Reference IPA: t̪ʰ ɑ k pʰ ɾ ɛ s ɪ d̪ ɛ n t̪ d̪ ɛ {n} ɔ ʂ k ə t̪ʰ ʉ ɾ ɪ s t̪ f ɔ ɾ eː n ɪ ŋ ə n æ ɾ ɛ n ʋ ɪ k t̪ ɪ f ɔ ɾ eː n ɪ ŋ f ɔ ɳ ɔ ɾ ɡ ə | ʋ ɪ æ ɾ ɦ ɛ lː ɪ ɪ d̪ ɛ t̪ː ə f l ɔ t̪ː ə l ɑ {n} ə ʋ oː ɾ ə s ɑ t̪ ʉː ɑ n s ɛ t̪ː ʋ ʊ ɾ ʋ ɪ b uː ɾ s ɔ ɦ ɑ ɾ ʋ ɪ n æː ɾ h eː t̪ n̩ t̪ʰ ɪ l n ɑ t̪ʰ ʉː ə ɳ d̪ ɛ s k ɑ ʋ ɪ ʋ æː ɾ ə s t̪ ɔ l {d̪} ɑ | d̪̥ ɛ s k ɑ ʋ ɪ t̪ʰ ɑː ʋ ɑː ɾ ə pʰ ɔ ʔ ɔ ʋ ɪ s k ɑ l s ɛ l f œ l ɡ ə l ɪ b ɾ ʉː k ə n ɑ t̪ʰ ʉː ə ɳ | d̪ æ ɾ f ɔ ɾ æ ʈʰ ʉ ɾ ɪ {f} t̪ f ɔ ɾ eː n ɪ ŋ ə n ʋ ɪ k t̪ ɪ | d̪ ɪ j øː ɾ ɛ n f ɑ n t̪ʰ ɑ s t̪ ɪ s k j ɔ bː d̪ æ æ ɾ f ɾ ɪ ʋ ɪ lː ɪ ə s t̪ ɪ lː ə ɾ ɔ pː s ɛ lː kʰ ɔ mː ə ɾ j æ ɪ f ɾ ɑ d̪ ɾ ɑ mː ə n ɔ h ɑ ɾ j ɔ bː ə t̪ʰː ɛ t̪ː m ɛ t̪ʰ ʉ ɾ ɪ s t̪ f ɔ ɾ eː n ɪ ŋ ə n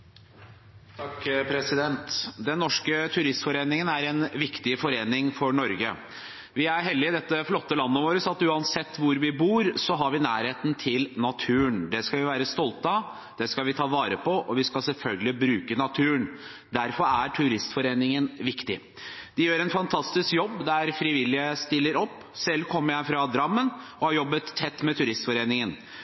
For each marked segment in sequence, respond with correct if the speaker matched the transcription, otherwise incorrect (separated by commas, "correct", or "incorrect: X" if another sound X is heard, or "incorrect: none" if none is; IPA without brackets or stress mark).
incorrect: nː, incorrect: nː, incorrect: t̪, incorrect: s